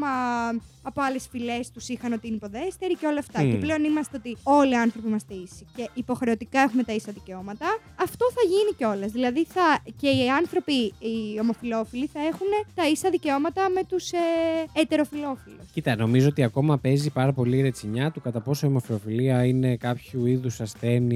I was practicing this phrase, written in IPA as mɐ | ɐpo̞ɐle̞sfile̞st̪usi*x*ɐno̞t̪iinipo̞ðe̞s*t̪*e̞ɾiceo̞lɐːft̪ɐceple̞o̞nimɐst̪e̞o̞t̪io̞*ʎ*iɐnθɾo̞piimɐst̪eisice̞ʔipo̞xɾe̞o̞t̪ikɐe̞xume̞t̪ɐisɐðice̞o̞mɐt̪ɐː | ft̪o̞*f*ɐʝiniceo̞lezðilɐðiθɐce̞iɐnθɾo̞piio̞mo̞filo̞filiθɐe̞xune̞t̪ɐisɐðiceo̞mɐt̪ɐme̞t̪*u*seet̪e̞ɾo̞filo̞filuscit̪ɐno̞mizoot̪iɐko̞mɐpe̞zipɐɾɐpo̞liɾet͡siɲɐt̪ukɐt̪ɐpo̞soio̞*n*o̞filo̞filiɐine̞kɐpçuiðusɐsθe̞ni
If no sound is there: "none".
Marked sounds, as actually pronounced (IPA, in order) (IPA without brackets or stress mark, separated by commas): x, t̪, l, θ, u, m